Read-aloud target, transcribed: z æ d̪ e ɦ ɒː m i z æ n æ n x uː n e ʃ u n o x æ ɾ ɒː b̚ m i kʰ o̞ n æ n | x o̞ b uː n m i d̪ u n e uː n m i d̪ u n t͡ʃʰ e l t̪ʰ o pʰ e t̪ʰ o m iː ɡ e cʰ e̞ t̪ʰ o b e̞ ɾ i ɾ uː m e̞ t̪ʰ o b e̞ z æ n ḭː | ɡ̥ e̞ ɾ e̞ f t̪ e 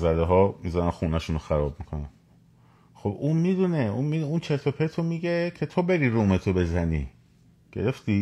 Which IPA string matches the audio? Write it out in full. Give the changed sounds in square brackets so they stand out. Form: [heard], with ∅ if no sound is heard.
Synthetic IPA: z æ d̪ e ɦ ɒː m i z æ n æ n x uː n [æ] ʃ u n o x æ ɾ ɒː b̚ m i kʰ o̞ n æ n | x o̞ b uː n m i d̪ u n e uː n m i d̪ u n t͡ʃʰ e l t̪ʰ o pʰ e t̪ʰ o m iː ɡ e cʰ e̞ t̪ʰ o b e̞ ɾ i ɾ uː m e̞ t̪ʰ o b e̞ z æ n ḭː | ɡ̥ e̞ ɾ e̞ f t̪ [i]